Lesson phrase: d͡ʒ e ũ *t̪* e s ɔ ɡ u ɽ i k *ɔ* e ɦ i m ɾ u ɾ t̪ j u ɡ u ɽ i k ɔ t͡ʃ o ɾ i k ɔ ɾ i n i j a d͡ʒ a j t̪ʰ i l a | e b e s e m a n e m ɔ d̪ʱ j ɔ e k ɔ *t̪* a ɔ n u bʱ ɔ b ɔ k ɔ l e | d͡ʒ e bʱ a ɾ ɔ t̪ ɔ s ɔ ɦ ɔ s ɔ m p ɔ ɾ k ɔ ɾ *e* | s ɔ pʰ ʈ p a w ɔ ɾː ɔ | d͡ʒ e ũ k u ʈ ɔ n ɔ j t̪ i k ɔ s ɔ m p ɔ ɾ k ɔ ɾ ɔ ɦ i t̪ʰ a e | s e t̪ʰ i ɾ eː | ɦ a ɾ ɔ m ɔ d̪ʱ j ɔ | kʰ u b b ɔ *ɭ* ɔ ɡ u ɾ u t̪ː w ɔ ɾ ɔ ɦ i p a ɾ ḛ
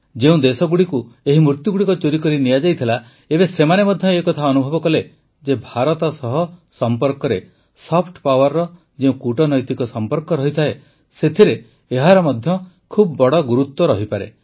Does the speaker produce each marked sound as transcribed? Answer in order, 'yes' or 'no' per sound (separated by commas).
no, no, no, yes, no